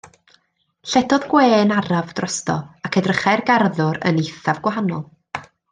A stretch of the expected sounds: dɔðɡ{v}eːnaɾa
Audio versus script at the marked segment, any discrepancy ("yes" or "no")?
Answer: yes